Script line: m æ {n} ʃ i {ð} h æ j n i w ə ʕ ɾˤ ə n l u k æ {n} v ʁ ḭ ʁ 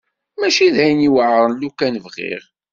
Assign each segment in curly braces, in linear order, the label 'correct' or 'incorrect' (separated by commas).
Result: incorrect, correct, correct